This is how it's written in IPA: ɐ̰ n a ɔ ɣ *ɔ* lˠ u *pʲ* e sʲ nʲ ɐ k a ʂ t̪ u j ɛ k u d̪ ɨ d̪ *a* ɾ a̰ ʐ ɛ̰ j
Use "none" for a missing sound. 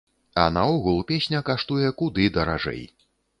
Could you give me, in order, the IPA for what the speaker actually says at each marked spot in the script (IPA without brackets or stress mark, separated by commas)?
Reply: u, pʲ, ɐ